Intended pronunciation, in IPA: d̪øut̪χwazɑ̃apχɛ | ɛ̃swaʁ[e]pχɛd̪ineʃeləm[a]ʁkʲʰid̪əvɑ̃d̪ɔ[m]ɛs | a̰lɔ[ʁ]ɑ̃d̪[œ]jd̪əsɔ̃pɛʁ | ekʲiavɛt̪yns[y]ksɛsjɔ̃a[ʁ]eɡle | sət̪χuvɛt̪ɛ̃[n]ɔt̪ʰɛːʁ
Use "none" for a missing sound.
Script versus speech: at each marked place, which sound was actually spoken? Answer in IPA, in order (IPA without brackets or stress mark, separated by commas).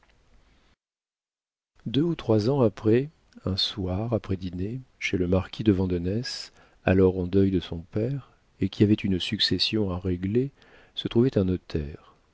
a, a, n, ʁ, œ, y, ʁ, n